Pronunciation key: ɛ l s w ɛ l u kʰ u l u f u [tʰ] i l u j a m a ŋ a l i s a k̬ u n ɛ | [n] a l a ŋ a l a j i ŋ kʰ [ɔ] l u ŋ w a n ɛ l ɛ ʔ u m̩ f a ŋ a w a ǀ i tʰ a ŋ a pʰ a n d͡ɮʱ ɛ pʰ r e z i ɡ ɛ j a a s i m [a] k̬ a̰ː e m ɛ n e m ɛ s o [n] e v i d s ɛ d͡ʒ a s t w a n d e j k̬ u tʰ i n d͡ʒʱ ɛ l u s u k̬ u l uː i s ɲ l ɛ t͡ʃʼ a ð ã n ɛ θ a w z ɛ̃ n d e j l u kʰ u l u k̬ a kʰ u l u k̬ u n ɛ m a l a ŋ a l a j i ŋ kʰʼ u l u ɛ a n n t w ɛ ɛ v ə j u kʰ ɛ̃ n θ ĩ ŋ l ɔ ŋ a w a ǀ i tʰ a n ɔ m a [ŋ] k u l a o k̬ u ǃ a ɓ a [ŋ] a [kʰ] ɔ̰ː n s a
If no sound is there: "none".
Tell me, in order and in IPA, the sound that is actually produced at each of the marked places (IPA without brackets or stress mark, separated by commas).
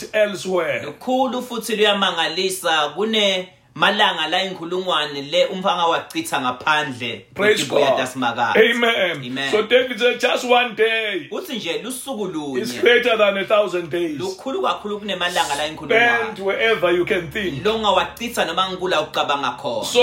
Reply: tʰ, m, u, a, d, ŋ, ŋ, kʰ